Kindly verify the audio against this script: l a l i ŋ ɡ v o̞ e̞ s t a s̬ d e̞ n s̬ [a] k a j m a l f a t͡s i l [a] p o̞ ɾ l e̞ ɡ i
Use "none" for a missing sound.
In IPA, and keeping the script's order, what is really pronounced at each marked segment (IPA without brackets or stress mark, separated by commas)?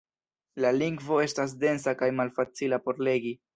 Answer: a, a